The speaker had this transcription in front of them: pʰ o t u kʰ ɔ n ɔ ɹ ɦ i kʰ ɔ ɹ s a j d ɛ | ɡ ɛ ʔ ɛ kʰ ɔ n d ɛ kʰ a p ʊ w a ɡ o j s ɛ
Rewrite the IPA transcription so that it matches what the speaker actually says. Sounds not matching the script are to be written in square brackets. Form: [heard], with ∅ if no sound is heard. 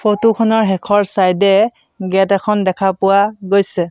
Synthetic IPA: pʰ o t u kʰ ɔ n ɔ ɹ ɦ [ɛ] kʰ ɔ ɹ s a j d ɛ | ɡ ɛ [t] ɛ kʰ ɔ n d ɛ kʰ a p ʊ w a ɡ o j s ɛ